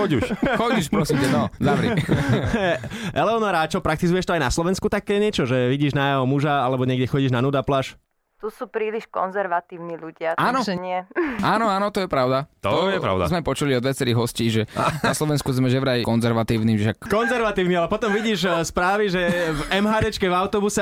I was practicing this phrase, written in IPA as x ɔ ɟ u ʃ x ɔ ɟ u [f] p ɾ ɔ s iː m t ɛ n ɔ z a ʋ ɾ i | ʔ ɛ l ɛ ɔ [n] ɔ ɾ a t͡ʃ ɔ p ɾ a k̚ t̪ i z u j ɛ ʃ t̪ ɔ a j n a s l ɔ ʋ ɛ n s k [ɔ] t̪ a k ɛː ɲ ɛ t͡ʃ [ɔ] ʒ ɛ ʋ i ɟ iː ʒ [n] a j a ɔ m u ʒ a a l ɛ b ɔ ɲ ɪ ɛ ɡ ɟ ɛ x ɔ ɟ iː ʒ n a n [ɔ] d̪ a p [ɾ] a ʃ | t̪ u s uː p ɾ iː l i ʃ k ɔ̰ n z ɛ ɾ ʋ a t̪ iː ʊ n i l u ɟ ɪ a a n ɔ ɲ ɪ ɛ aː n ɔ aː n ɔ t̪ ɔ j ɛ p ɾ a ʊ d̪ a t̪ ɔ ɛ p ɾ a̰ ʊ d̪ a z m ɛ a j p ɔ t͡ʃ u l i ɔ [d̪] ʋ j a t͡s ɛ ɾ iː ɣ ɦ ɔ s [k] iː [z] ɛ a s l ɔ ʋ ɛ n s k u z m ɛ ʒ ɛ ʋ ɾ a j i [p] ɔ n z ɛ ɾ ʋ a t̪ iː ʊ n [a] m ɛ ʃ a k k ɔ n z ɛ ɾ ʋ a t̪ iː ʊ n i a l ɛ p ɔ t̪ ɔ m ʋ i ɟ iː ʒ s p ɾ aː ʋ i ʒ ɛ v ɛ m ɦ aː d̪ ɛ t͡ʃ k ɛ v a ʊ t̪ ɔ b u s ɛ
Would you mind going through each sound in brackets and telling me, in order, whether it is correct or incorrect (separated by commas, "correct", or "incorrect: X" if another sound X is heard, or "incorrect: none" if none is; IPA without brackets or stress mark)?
incorrect: ʃ, correct, incorrect: u, correct, correct, incorrect: u, incorrect: l, correct, incorrect: c, incorrect: ʒ, incorrect: k, incorrect: i